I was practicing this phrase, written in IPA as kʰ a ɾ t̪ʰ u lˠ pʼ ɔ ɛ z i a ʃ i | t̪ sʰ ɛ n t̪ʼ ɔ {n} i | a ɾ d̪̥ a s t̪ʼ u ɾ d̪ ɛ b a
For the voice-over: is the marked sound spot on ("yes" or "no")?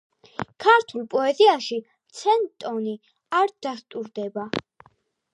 yes